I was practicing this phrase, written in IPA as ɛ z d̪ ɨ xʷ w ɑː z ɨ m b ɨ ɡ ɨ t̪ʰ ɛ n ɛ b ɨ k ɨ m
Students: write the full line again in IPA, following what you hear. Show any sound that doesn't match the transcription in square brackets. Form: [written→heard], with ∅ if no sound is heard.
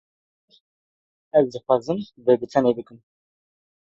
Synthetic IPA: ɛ z d̪ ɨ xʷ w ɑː z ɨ m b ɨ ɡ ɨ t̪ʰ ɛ n [ɛ→e] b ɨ k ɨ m